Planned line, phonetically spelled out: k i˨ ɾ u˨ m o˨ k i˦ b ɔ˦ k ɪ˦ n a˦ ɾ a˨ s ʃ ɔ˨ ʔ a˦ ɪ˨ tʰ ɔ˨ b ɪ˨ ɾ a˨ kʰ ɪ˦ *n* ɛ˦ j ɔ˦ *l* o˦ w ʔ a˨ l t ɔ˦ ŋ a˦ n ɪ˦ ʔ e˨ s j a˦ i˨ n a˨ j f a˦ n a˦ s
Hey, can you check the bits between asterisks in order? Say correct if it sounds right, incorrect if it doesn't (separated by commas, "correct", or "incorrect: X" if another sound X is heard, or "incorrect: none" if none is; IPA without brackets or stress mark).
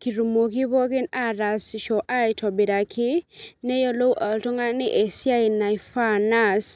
correct, correct